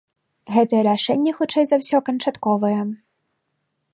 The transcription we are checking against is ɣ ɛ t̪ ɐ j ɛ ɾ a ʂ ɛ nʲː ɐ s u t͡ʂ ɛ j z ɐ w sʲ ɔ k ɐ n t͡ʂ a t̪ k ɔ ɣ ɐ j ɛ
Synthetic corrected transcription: ɣ ɛ t̪ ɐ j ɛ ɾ a ʂ ɛ nʲː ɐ x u t͡ʂ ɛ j z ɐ w sʲ ɔ k ɐ n t͡ʂ a t̪ k ɔ v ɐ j ɛ

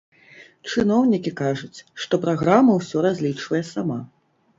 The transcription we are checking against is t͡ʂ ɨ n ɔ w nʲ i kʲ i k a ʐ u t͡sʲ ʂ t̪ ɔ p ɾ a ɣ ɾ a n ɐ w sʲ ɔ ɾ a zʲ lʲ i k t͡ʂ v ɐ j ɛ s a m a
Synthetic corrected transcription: t͡ʂ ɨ n ɔ w nʲ i kʲ i k a ʐ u t͡sʲ ʂ t̪ ɔ p ɾ a ɣ ɾ a m ɐ w sʲ ɔ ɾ a zʲ lʲ i t͡ʂ v ɐ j ɛ s a m a

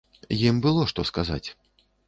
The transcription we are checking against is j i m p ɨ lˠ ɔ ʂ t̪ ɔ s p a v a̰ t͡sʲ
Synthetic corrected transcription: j i m b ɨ lˠ ɔ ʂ t̪ ɔ s k a z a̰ t͡sʲ

